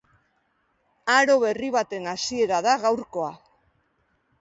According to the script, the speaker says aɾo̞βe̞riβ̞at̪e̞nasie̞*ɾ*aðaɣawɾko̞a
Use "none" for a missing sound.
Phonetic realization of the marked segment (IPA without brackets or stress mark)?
ɾ